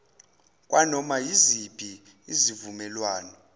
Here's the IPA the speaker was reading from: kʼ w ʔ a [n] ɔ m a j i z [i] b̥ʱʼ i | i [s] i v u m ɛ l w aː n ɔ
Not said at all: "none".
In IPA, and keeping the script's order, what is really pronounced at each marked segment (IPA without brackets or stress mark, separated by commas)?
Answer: n, i, z